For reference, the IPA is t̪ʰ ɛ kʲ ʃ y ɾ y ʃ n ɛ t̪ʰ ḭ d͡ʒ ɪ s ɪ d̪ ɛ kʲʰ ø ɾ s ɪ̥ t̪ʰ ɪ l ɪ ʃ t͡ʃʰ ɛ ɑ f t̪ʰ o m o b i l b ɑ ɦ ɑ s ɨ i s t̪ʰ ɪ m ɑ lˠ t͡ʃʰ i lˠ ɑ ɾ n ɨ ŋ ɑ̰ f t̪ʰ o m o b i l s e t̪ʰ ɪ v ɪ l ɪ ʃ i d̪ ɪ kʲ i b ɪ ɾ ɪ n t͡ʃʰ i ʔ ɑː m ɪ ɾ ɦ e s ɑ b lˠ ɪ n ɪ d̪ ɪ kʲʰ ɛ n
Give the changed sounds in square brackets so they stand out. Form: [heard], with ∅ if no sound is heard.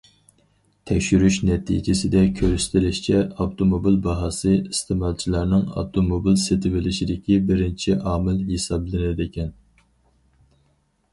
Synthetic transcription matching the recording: t̪ʰ ɛ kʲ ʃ y ɾ y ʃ n ɛ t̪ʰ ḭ d͡ʒ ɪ s ɪ d̪ ɛ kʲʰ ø ɾ s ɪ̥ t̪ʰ ɪ l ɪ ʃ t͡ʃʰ ɛ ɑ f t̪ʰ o m o b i l b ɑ ɦ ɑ s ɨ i s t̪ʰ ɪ m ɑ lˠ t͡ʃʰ i lˠ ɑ ɾ n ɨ ŋ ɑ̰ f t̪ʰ o m o b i l s e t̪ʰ ɪ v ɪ l ɪ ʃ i d̪ ɪ kʲ i b ɪ ɾ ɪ n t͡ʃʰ i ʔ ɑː m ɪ [l] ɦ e s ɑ b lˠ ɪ n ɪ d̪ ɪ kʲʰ ɛ n